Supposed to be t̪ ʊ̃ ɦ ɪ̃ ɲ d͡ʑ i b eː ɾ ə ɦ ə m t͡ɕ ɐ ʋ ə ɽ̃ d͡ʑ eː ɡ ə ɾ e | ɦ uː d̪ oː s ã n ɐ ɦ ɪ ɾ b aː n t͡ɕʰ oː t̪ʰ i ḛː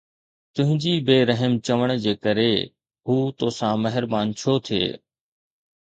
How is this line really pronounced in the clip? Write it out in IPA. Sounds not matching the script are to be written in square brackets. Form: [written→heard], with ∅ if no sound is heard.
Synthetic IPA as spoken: t̪ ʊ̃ ɦ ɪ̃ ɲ d͡ʑ i b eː ɾ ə ɦ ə m t͡ɕ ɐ ʋ ə ɽ̃ d͡ʑ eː [ɡ→k] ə ɾ e | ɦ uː [d̪→t̪] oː s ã [n→m] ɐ ɦ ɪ ɾ b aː n t͡ɕʰ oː t̪ʰ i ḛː